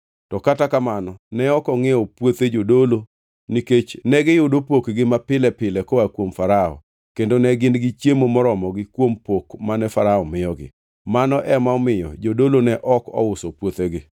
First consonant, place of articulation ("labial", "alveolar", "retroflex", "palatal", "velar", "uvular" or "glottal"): alveolar